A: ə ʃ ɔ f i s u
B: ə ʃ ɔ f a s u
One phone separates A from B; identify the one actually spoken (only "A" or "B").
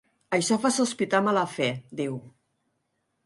B